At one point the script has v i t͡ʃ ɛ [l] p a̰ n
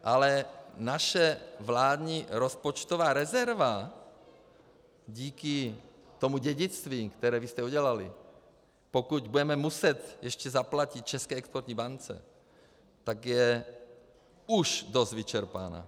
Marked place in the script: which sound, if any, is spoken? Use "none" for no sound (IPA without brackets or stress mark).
ɾ